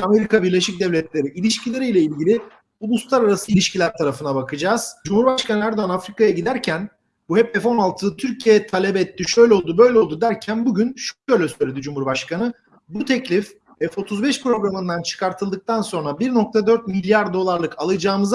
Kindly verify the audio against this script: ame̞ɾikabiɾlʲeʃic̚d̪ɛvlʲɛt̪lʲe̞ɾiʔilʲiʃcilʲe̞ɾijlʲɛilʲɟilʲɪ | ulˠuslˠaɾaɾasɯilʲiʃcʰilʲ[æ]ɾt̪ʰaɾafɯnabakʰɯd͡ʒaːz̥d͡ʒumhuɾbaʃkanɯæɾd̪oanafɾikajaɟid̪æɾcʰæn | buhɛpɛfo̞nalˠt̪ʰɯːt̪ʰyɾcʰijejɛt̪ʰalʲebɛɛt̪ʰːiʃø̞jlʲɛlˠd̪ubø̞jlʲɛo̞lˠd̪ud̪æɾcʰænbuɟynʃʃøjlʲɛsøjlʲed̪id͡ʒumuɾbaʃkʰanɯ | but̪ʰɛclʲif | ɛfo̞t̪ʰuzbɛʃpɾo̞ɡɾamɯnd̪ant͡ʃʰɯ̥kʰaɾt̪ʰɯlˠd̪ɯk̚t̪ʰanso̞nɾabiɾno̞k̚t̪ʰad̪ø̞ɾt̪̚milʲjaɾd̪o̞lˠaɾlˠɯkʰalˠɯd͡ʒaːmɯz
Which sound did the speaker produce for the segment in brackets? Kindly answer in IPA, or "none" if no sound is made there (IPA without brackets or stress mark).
æ